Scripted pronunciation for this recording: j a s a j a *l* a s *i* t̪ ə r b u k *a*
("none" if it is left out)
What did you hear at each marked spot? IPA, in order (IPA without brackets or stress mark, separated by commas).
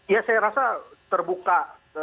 ɾ, a, a